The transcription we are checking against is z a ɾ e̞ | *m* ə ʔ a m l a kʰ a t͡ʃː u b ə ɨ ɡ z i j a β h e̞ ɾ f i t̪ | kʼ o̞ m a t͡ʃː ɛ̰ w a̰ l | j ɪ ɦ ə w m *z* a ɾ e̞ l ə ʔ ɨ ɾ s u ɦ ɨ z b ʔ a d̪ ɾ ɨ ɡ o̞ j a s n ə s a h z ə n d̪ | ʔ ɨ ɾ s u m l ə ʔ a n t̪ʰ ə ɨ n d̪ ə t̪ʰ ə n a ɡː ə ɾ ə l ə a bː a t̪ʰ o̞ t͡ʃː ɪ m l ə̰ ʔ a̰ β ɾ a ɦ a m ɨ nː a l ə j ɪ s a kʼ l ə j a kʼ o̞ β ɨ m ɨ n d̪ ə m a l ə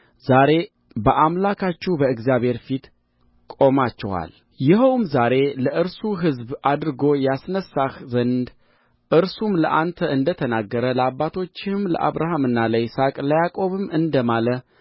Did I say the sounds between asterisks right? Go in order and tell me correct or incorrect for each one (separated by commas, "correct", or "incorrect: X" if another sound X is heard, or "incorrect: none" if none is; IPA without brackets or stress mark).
incorrect: b, correct